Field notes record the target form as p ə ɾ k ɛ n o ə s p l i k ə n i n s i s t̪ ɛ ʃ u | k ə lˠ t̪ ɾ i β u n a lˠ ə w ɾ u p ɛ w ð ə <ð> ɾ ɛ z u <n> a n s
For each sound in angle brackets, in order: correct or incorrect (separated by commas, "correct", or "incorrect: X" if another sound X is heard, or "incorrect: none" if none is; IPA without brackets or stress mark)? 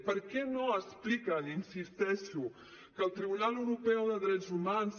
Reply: correct, incorrect: m